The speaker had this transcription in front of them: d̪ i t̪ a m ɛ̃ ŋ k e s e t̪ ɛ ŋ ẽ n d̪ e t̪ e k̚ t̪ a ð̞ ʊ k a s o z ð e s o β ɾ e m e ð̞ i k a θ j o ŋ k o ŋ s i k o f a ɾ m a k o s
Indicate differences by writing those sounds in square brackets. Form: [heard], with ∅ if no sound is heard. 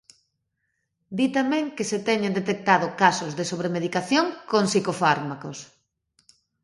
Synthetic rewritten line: d̪ i t̪ a m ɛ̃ ŋ k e s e t̪ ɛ [ɲ] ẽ n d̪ e t̪ e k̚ t̪ a ð̞ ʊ k a s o z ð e s o β ɾ e m e ð̞ i k a θ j o ŋ k o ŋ s i k o f a ɾ m a k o s